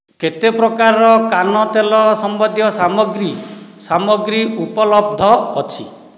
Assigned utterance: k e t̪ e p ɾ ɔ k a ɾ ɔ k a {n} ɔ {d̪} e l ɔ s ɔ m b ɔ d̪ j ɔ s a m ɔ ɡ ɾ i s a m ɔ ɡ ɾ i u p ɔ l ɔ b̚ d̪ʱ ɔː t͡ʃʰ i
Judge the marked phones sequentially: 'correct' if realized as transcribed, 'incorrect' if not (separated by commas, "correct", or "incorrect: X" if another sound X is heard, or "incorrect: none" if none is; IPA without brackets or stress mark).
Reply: correct, incorrect: t̪